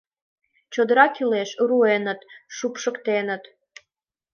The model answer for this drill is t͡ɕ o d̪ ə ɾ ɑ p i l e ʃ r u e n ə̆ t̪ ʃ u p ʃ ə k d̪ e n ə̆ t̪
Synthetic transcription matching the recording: t͡ɕ o d̪ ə ɾ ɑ k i l e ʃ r u e n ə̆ t̪ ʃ u p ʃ ə k t̪ e n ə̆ t̪